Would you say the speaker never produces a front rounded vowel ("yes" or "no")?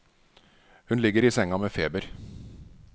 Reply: yes